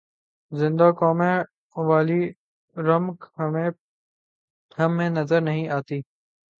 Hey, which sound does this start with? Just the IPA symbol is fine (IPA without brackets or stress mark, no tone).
z